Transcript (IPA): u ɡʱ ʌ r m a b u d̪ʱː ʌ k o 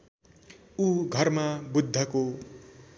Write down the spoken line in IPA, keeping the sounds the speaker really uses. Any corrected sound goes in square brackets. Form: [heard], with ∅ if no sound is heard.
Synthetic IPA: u ɡʱ ʌ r m a b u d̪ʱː ʌ k o